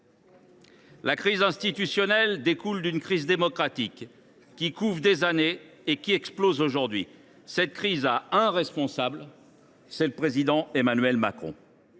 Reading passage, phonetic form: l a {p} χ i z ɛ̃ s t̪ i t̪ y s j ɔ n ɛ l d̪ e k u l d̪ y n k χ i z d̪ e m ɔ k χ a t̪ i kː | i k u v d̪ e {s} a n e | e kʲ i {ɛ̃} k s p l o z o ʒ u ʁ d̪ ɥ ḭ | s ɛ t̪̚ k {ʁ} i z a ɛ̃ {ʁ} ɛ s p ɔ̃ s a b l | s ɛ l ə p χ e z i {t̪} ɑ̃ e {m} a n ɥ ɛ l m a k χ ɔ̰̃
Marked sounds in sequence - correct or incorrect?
incorrect: k, incorrect: z, incorrect: ɛ, incorrect: χ, correct, incorrect: d̪, correct

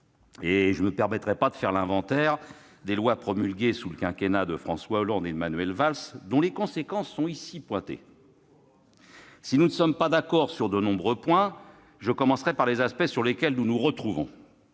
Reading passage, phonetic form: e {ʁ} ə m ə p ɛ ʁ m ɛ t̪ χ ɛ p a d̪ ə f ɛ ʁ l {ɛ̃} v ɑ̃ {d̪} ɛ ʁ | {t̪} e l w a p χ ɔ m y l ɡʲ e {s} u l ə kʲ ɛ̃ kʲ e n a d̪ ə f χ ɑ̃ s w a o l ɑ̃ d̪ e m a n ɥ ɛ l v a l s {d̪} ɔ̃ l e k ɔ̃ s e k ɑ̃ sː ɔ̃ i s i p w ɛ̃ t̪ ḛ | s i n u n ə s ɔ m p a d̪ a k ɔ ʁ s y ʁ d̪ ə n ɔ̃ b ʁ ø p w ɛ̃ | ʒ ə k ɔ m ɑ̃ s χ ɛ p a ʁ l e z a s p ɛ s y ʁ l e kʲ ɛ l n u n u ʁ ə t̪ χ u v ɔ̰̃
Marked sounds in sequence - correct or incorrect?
incorrect: ʒ, correct, incorrect: t̪, incorrect: d̪, correct, correct

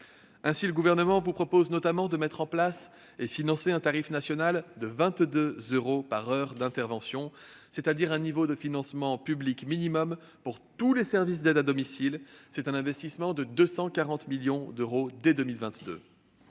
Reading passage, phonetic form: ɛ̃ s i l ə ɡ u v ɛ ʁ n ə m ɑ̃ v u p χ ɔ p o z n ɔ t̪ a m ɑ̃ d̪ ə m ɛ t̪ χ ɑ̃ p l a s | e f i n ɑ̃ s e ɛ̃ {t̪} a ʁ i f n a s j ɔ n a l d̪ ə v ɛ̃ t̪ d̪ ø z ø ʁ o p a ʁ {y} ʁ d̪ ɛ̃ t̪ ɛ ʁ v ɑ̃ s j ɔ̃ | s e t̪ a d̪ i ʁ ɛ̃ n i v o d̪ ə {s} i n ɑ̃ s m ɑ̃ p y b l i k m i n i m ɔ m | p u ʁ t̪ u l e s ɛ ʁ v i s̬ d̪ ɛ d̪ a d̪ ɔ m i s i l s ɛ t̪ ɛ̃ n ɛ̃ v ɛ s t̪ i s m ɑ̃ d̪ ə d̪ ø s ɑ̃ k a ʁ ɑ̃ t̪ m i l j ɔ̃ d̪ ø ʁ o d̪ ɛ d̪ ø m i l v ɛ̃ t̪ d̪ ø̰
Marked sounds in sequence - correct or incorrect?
correct, incorrect: œ, incorrect: f

